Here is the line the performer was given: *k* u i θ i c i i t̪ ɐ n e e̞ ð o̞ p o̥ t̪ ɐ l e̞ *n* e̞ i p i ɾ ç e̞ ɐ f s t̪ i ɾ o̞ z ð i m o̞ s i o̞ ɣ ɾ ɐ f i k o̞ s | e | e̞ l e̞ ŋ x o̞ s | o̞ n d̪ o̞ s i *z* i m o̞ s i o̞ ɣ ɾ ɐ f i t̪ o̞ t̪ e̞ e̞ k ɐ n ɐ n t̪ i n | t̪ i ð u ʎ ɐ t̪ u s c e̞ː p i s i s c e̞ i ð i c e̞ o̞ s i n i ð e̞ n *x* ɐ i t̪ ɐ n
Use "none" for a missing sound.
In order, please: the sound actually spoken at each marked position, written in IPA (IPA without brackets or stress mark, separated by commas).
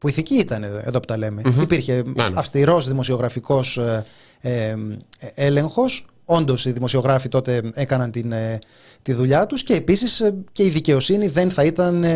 p, m, ð, θ